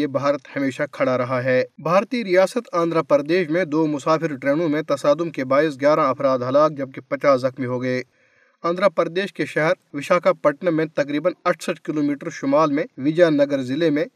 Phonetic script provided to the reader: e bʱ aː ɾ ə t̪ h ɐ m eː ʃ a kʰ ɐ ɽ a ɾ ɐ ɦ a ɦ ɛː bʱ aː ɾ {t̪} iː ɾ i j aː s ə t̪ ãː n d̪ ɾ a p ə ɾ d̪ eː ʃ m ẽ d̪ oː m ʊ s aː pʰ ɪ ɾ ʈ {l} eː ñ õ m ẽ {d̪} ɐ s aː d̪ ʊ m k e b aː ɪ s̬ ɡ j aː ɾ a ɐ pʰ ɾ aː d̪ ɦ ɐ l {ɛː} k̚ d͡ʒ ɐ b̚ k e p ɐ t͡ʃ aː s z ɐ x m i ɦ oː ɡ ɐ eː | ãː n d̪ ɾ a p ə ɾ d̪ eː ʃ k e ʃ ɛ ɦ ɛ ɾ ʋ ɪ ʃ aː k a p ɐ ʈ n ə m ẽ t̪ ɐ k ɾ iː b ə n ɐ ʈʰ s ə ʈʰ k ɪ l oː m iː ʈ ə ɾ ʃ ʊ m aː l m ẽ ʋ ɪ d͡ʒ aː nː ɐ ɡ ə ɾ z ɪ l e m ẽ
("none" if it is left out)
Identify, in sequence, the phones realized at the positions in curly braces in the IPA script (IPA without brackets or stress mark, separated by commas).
t̪, ɾ, t̪, aː